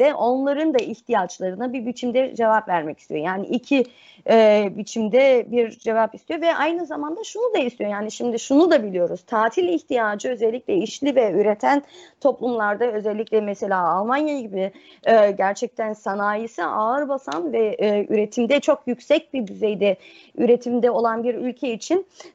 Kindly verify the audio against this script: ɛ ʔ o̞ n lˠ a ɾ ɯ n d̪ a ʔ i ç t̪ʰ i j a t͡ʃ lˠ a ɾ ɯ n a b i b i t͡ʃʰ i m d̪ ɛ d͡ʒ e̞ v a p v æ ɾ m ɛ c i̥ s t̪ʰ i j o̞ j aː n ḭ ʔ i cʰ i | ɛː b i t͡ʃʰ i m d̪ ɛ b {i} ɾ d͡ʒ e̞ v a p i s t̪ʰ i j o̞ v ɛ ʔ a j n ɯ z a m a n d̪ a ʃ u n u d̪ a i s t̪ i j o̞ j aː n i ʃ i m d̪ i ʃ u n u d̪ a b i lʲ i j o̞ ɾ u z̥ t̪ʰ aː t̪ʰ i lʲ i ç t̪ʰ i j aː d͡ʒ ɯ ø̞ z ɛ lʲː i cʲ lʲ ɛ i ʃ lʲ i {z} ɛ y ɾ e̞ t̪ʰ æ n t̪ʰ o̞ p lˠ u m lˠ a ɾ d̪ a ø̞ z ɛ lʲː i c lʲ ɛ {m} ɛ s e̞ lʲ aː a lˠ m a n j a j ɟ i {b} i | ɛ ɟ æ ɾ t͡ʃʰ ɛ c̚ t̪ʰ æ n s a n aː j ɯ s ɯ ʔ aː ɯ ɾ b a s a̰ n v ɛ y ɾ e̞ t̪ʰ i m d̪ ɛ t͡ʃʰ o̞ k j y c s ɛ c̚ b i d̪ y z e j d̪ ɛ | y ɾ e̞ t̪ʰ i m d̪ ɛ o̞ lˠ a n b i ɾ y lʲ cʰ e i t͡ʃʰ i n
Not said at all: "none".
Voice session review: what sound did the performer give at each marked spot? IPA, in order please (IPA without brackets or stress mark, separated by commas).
i, v, m, b